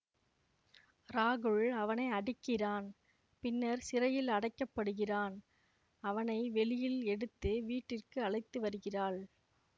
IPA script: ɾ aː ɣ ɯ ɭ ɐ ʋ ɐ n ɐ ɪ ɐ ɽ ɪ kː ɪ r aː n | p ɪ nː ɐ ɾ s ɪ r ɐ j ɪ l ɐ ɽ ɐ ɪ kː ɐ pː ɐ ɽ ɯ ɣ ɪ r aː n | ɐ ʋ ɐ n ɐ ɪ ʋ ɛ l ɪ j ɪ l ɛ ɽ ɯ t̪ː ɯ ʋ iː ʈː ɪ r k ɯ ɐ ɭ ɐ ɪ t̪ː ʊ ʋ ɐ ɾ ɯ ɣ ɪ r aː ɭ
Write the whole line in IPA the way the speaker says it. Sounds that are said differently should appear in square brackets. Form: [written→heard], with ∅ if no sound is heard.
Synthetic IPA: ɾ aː ɣ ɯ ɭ ɐ ʋ ɐ n ɐ ɪ ɐ ɽ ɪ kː ɪ r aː n | p ɪ nː ɐ ɾ s ɪ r ɐ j ɪ l ɐ ɽ ɐ ɪ kː ɐ pː ɐ ɽ ɯ ɣ ɪ r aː n | ɐ ʋ ɐ n ɐ ɪ ʋ ɛ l ɪ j ɪ l ɛ ɽ ɯ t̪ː ɯ ʋ iː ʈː ɪ r k ɯ ɐ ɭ ɐ ɪ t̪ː [ʊ→ɯ] ʋ ɐ ɾ ɯ ɣ ɪ r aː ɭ

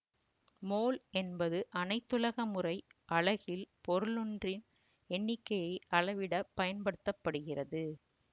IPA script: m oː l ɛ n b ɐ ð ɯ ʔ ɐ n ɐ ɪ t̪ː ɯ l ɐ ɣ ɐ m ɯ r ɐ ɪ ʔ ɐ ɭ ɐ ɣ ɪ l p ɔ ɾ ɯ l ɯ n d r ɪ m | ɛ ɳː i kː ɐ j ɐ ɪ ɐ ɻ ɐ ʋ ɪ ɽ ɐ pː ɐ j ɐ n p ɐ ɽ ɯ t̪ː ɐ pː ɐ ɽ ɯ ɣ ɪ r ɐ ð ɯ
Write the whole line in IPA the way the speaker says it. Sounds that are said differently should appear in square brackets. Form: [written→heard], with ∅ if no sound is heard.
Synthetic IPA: m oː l ɛ n b ɐ ð ɯ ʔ ɐ n ɐ ɪ t̪ː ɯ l ɐ ɣ ɐ m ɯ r ɐ ɪ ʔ ɐ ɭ ɐ ɣ ɪ l p ɔ ɾ ɯ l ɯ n d r ɪ [m→n] | ɛ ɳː [i→ɪ] kː ɐ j ɐ ɪ ɐ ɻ ɐ ʋ ɪ ɽ ɐ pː ɐ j ɐ n p ɐ ɽ ɯ t̪ː ɐ pː ɐ ɽ ɯ ɣ ɪ r ɐ ð ɯ

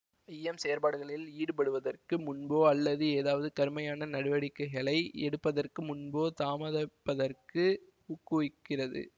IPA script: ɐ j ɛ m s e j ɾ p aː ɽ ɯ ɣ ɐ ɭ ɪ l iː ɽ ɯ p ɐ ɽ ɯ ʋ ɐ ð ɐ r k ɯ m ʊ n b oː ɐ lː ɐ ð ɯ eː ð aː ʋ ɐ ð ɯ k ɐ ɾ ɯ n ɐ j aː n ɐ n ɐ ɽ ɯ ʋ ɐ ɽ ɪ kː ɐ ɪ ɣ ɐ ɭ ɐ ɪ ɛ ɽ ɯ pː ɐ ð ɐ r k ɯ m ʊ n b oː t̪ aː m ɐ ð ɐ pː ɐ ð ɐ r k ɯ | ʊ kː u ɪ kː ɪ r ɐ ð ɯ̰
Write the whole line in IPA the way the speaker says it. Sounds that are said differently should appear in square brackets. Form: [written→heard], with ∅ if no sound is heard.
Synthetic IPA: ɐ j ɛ m s e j ɾ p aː ɽ ɯ ɣ ɐ ɭ ɪ l iː ɽ ɯ p ɐ ɽ ɯ ʋ ɐ ð ɐ r k ɯ m ʊ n b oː ɐ lː ɐ ð ɯ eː ð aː ʋ ɐ ð ɯ k ɐ ɾ ɯ [n→m] ɐ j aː n ɐ n ɐ ɽ ɯ ʋ ɐ ɽ ɪ kː ɐ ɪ ɣ ɐ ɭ ɐ ɪ ɛ ɽ ɯ pː ɐ ð ɐ r k ɯ m ʊ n b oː t̪ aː m ɐ ð ɐ pː ɐ ð ɐ r k ɯ | ʊ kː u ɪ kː ɪ r ɐ ð ɯ̰

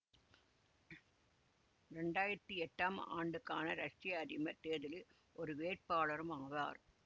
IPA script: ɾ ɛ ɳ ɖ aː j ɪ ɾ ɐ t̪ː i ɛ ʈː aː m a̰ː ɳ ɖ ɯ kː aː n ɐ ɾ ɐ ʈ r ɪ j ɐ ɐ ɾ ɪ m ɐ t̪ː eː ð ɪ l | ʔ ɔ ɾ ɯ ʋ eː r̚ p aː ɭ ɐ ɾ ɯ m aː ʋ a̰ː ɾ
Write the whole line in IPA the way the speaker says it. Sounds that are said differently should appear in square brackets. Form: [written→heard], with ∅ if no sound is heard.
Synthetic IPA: ɾ ɛ ɳ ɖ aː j ɪ ɾ ɐ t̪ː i ɛ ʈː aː m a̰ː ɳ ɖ ɯ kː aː n ɐ ɾ ɐ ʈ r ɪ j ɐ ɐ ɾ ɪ m ɐ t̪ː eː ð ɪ l | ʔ ɔ ɾ ɯ ʋ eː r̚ p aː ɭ ɐ ɾ ɯ m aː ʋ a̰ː ɾ

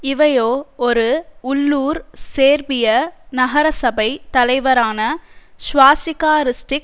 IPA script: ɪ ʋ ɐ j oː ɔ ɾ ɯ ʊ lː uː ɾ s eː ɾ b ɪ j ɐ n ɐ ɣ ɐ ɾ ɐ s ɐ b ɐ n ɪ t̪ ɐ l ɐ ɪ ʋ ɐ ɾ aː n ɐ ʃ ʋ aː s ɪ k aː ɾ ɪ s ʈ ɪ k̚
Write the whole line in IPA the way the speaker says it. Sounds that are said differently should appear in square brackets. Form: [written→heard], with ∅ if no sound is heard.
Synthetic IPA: ɪ ʋ ɐ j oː ɔ ɾ ɯ ʊ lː uː ɾ s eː ɾ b ɪ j ɐ n ɐ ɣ ɐ ɾ ɐ s ɐ b ɐ [n→∅] ɪ t̪ ɐ l ɐ ɪ ʋ ɐ ɾ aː n ɐ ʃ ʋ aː s ɪ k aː ɾ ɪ s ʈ ɪ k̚

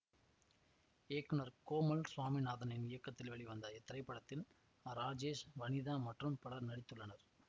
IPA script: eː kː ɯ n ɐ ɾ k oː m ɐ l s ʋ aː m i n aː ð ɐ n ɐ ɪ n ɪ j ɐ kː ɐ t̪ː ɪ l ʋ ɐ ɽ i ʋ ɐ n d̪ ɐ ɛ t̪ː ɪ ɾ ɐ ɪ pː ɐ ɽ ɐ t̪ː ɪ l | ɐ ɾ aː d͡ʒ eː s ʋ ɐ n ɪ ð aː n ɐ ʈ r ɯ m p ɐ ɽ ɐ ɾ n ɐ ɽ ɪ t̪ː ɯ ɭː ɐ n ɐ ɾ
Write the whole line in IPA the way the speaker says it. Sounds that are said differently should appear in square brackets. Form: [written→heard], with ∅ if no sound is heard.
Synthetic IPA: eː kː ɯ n ɐ ɾ k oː m ɐ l s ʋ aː m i n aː ð ɐ n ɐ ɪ n ɪ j ɐ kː ɐ t̪ː ɪ l ʋ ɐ [ɽ→ɭ] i ʋ ɐ n d̪ ɐ ɛ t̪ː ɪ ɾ ɐ ɪ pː ɐ ɽ ɐ t̪ː ɪ l | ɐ ɾ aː d͡ʒ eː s ʋ ɐ n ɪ ð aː [n→m] ɐ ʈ r ɯ m p ɐ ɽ ɐ ɾ n ɐ ɽ ɪ t̪ː ɯ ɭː ɐ n ɐ ɾ

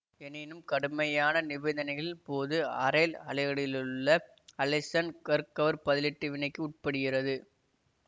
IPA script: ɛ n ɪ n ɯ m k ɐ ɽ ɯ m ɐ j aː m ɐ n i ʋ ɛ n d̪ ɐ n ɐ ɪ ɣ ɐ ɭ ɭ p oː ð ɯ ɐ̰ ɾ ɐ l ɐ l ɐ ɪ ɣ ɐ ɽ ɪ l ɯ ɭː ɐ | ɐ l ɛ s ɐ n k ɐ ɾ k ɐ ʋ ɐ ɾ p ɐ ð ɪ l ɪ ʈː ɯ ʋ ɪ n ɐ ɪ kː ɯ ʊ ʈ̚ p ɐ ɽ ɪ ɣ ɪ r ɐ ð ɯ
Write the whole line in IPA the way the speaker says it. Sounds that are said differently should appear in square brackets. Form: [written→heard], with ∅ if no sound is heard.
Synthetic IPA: ɛ n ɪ n ɯ m k ɐ ɽ ɯ m ɐ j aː [m→n] ɐ n [i→ɪ] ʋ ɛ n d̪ ɐ n ɐ ɪ ɣ ɐ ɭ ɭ p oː ð ɯ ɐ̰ ɾ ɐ l ɐ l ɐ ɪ ɣ ɐ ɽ ɪ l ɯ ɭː ɐ | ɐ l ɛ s ɐ n k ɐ ɾ k ɐ ʋ ɐ ɾ p ɐ ð ɪ l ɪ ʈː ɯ ʋ ɪ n ɐ ɪ kː ɯ ʊ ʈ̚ p ɐ ɽ ɪ ɣ ɪ r ɐ ð ɯ

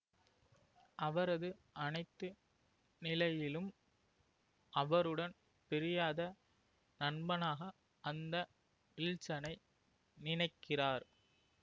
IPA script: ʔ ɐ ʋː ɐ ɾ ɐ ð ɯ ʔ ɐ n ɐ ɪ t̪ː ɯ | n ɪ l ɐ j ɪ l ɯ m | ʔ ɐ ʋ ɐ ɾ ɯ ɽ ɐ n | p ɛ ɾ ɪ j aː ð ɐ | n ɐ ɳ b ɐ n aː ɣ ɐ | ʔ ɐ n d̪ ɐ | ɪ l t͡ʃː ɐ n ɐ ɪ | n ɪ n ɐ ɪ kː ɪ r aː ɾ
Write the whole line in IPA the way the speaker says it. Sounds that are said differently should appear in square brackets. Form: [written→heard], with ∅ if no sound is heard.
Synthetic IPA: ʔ ɐ [ʋː→ʋ] ɐ ɾ ɐ ð ɯ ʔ ɐ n ɐ ɪ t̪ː ɯ | n ɪ l ɐ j ɪ l ɯ m | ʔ ɐ ʋ ɐ ɾ ɯ ɽ ɐ n | p ɛ ɾ ɪ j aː ð ɐ | n ɐ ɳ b ɐ n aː ɣ ɐ | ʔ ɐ n d̪ ɐ | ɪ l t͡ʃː ɐ n ɐ ɪ | n ɪ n ɐ ɪ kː ɪ r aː ɾ

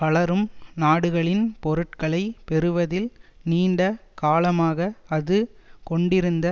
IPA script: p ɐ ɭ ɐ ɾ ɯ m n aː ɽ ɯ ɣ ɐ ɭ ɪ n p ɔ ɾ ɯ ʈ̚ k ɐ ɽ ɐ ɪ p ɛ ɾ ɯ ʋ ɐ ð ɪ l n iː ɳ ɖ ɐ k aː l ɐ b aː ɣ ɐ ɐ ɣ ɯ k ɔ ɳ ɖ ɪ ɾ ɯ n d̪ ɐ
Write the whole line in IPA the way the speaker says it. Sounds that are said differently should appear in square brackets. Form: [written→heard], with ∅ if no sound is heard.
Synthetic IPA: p ɐ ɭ ɐ ɾ ɯ m n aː ɽ ɯ ɣ ɐ ɭ ɪ n p ɔ ɾ ɯ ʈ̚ k ɐ [ɽ→ɭ] ɐ ɪ p ɛ ɾ ɯ ʋ ɐ ð ɪ l n iː ɳ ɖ ɐ k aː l ɐ [b→m] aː ɣ ɐ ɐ [ɣ→ð] ɯ k ɔ ɳ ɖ ɪ ɾ ɯ n d̪ ɐ

